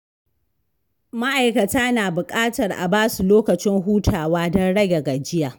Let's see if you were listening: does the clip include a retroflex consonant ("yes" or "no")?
yes